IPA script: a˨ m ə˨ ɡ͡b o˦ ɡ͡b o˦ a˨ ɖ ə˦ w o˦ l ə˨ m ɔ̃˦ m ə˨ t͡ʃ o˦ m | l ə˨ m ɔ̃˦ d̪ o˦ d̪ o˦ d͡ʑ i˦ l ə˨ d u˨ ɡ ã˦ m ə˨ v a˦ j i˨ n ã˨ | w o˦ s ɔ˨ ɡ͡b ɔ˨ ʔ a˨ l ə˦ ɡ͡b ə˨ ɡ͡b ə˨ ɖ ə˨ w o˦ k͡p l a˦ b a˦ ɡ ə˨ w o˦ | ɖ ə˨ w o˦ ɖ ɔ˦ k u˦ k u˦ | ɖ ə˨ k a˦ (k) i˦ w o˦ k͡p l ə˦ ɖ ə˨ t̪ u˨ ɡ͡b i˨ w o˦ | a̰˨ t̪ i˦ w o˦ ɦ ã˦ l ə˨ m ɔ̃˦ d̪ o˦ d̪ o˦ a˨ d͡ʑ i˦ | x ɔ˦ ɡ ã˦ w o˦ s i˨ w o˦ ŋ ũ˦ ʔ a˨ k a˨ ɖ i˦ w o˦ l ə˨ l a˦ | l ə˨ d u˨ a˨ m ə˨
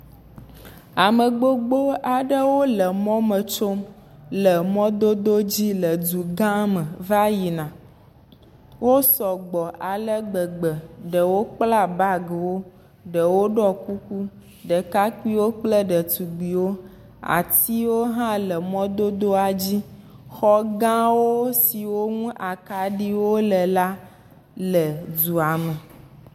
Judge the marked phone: correct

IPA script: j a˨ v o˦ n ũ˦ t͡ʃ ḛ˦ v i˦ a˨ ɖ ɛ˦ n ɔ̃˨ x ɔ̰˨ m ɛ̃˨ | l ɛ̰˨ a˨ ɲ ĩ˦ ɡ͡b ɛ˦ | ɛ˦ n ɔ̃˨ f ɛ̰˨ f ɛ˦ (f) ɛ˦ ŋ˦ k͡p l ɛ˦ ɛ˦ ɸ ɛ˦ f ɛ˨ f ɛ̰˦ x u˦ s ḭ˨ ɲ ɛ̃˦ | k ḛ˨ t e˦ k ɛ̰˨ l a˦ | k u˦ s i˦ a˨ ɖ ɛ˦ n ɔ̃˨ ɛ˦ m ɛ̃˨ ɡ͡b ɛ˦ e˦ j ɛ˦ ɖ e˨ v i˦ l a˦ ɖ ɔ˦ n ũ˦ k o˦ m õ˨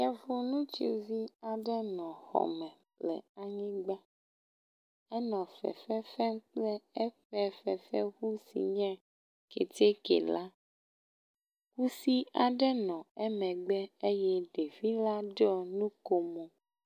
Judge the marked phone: correct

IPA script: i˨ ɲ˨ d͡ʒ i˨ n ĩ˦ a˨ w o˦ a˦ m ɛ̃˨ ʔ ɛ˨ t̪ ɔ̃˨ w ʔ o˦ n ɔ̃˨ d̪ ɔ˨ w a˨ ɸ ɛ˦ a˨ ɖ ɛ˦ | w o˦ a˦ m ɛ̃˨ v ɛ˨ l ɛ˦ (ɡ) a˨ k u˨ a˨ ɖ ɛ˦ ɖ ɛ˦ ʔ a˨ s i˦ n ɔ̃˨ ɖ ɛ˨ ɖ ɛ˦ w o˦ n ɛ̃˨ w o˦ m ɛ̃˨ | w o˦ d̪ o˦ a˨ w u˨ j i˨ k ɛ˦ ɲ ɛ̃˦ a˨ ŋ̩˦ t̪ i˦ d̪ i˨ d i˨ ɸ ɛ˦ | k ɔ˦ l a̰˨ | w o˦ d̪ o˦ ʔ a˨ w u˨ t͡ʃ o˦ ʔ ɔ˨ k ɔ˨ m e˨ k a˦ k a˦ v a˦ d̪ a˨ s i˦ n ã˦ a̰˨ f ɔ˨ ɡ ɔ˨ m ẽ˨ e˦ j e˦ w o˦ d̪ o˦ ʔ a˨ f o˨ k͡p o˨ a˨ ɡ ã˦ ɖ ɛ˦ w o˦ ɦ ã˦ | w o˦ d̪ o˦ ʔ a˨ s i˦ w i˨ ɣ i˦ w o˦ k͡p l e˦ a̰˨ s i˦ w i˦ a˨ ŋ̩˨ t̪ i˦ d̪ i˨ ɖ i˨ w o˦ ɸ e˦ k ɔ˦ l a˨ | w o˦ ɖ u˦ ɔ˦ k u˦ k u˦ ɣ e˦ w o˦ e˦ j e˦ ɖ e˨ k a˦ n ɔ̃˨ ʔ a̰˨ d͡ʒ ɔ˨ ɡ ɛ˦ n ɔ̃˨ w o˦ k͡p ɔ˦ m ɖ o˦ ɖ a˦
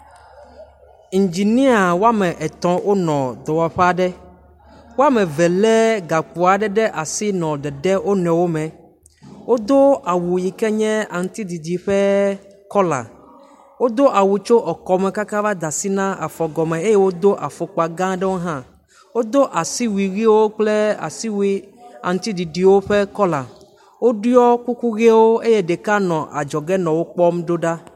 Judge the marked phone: correct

